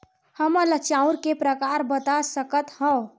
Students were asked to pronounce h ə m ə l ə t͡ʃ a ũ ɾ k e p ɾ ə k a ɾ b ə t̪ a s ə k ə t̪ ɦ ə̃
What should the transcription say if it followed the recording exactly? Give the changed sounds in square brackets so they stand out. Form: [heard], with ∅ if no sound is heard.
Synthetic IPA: h ə m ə l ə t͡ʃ a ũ ɾ k e p ɾ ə k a ɾ b ə t̪ a s ə k ə t̪ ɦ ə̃